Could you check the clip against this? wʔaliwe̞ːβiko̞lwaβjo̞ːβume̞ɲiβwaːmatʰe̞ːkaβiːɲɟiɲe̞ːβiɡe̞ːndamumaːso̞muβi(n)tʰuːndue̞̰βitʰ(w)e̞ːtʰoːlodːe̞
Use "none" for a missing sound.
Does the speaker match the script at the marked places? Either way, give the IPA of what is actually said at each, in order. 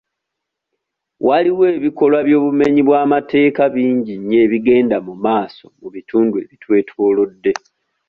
none, w

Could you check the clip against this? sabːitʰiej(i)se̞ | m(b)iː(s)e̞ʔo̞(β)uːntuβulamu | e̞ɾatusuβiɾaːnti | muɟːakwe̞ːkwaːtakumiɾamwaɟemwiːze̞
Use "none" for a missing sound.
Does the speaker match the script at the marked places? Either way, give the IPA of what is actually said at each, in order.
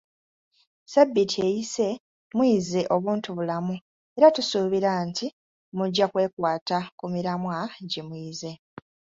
i, w, z, β

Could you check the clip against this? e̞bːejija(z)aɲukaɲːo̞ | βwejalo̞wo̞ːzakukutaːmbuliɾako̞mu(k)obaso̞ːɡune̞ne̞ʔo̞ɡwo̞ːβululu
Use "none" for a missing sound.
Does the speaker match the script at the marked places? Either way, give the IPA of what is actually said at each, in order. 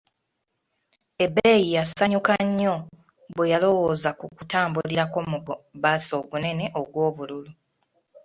s, ɡ

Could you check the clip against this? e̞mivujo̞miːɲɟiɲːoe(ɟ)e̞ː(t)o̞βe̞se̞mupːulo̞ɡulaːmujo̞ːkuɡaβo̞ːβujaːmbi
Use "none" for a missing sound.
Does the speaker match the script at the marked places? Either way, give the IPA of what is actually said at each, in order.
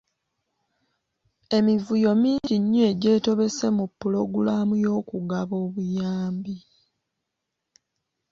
ɟ, t

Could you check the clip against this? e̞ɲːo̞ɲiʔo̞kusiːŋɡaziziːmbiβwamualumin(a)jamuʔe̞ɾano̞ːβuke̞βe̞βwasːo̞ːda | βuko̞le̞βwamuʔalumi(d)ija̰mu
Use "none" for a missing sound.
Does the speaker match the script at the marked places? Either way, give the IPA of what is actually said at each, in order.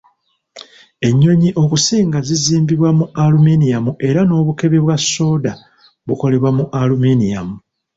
i, n

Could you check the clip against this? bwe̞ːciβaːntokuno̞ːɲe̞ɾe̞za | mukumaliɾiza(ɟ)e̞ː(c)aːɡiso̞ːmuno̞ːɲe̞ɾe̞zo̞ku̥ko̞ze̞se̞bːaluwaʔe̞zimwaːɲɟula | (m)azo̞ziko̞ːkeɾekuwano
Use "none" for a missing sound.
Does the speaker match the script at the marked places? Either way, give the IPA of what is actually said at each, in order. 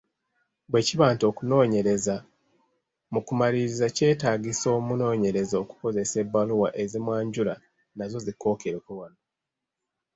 c, t, n

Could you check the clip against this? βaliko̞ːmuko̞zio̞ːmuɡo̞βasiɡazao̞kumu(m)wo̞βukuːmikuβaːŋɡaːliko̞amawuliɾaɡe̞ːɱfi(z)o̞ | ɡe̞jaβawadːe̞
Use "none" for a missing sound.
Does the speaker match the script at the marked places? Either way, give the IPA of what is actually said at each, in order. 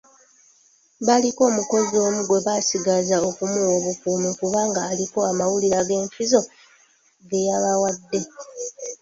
none, z

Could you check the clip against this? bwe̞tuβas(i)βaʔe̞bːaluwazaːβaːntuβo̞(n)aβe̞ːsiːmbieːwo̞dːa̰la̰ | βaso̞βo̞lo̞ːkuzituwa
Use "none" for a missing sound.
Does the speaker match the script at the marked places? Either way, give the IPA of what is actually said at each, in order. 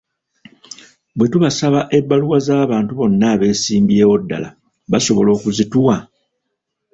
a, nː

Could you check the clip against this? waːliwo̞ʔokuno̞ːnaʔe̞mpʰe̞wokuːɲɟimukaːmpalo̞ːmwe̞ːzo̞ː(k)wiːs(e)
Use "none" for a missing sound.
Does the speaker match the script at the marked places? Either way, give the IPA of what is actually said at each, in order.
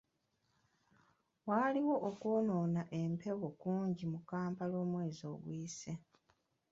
ɡ, e

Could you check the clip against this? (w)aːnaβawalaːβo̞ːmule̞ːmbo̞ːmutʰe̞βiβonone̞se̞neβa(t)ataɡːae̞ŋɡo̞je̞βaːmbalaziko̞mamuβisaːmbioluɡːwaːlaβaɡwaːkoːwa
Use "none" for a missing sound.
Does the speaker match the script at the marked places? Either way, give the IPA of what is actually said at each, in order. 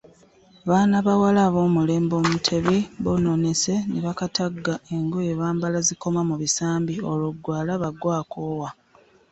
β, k

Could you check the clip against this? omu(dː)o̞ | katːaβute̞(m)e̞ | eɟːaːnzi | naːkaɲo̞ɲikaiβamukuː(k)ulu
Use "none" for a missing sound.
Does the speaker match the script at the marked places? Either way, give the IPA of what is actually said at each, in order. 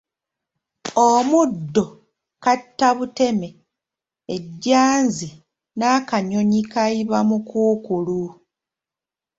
dː, m, k

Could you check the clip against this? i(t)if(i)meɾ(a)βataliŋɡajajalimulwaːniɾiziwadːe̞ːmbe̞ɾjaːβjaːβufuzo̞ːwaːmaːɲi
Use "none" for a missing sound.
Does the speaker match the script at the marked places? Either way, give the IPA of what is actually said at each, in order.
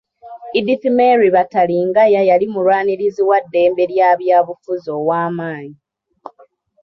d, i, i

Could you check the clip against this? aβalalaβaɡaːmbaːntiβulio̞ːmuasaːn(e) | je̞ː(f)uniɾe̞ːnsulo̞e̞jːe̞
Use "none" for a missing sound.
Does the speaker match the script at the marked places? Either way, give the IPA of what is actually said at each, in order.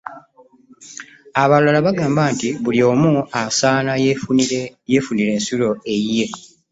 a, f

